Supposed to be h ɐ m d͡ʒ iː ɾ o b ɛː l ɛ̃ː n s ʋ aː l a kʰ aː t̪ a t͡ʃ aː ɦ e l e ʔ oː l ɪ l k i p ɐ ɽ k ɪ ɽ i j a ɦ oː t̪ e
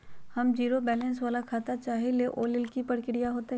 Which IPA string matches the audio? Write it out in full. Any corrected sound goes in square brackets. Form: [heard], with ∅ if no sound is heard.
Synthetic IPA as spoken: h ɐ m d͡ʒ iː ɾ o b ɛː l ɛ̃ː n s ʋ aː l a kʰ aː t̪ a t͡ʃ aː ɦ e l e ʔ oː l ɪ l k i p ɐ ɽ k ɪ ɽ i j a ɦ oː t̪ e